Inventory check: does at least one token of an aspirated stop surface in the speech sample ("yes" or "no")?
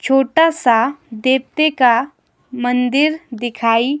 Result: yes